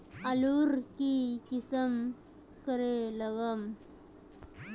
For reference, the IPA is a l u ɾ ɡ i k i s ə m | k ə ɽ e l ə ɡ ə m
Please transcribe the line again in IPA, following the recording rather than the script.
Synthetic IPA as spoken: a l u ɾ k i k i s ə m | k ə ɾ e l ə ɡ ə m